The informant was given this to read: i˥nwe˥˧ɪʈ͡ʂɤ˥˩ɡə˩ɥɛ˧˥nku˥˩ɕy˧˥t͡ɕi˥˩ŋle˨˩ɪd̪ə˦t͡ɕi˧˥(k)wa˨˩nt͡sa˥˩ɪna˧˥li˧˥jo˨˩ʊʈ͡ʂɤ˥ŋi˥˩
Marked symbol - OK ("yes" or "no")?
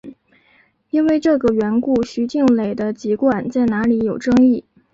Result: yes